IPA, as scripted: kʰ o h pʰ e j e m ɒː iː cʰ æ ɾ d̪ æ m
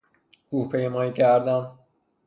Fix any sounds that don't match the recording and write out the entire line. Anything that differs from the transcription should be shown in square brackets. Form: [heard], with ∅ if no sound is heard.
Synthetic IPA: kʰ [u] h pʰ e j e m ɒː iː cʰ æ ɾ d̪ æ [n]